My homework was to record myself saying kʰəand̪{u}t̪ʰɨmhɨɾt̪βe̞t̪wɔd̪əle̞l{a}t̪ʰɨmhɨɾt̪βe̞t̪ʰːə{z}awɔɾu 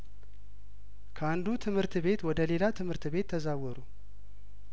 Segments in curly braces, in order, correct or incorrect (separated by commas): correct, correct, correct